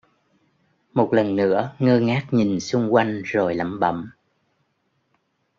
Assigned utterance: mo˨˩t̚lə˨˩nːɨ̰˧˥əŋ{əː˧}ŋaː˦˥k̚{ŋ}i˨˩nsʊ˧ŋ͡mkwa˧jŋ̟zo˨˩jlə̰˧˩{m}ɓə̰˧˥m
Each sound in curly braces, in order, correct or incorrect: correct, incorrect: ɲ, correct

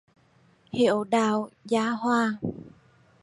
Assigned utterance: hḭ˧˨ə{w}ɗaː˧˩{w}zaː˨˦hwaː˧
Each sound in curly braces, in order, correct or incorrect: correct, correct

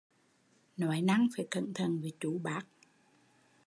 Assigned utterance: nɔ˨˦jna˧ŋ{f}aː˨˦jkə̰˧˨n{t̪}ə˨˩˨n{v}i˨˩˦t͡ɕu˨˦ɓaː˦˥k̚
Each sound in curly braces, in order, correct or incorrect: correct, incorrect: t̪ʰ, correct

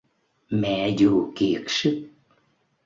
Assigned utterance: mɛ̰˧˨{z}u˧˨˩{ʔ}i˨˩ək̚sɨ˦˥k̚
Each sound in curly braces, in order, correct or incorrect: correct, incorrect: k

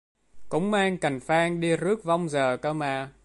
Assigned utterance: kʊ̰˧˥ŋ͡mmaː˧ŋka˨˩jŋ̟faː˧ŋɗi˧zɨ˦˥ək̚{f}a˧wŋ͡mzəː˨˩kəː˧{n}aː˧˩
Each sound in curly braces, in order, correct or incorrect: incorrect: v, incorrect: m

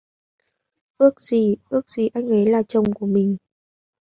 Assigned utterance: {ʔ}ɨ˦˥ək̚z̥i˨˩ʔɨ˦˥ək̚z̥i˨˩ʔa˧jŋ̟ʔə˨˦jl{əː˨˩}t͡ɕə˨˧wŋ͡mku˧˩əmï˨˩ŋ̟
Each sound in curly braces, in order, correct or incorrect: correct, incorrect: aː˨˩

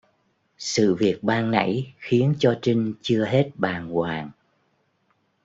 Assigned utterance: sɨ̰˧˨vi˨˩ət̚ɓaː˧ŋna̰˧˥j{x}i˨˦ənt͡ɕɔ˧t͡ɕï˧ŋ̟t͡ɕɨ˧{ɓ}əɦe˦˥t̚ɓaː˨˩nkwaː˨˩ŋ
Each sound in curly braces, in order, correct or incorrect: correct, incorrect: none

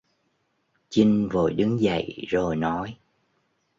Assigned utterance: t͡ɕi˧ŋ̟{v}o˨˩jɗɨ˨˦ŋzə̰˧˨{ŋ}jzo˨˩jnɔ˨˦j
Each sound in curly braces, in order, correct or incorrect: correct, incorrect: none

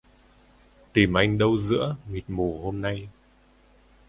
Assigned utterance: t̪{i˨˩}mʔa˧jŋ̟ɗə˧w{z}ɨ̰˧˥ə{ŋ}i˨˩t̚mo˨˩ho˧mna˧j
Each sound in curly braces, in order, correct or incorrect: correct, correct, correct

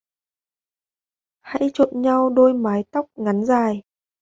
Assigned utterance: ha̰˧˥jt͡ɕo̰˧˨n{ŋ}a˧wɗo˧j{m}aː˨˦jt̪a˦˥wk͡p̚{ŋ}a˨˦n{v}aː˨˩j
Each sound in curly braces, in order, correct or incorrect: incorrect: ɲ, correct, correct, incorrect: z

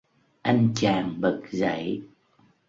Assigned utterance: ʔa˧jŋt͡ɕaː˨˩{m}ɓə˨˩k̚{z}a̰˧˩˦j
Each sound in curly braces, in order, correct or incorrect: incorrect: ŋ, correct

